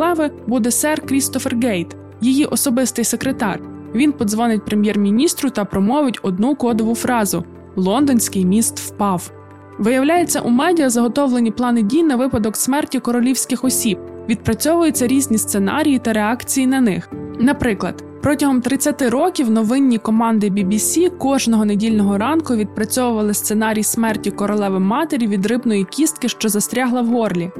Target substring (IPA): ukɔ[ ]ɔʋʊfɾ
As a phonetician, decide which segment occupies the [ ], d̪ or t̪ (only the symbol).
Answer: d̪